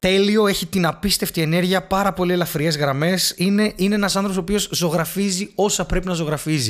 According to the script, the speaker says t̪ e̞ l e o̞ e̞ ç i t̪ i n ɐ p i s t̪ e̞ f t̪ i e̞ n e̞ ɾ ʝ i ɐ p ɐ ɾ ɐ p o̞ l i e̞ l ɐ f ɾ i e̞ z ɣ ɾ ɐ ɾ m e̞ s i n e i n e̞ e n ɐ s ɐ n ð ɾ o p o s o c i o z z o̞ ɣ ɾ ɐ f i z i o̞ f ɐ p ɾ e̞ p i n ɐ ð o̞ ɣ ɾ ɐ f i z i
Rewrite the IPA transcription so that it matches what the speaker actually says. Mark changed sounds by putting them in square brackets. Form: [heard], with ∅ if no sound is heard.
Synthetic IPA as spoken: t̪ e̞ l [i] o̞ e̞ ç i t̪ i n ɐ p i s t̪ e̞ f t̪ i e̞ n e̞ ɾ ʝ i ɐ p ɐ ɾ ɐ p o̞ l i e̞ l ɐ f ɾ i e̞ z ɣ ɾ ɐ [∅] m e̞ s i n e i n e̞ e n ɐ s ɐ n [θ] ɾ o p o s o [p] i o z z o̞ ɣ ɾ ɐ f i z i o̞ [s] ɐ p ɾ e̞ p i n ɐ [z] o̞ ɣ ɾ ɐ f i z i